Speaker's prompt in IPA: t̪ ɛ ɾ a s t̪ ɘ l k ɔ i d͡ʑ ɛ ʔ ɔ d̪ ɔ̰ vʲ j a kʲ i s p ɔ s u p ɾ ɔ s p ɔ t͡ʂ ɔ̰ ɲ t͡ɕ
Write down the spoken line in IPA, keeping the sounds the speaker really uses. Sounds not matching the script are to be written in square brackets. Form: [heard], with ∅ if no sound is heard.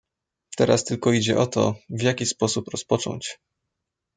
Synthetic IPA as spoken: t̪ ɛ ɾ a s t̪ ɘ l k ɔ i d͡ʑ ɛ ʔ ɔ [t̪] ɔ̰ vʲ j a kʲ i s p ɔ s u p ɾ ɔ s p ɔ t͡ʂ ɔ̰ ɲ t͡ɕ